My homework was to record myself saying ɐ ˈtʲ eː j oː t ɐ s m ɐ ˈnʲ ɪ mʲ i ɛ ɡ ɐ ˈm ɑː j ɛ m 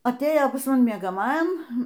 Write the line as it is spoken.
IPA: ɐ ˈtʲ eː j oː p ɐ s m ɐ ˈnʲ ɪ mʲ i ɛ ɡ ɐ ˈm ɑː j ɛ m